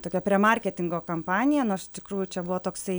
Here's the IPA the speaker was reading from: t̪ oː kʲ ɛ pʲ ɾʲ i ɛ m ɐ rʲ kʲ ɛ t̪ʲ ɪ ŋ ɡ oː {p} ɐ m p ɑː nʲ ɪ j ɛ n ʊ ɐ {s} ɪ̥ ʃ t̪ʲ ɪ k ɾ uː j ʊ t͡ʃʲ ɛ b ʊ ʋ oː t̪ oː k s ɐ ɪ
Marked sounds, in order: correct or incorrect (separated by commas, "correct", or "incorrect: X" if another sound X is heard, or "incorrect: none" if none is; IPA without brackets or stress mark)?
incorrect: k, incorrect: ʃ